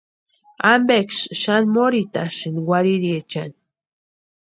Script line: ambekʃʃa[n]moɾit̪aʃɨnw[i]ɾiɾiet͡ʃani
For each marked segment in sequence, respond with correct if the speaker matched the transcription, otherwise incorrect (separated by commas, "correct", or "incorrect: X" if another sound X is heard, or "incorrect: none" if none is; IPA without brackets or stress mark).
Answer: correct, incorrect: a